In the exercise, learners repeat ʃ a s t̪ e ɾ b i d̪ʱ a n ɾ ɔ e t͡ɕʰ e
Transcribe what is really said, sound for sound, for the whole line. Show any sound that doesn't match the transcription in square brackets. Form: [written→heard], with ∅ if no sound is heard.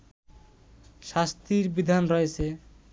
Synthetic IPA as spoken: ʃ a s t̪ [e→i] ɾ b i d̪ʱ a n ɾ ɔ e t͡ɕʰ e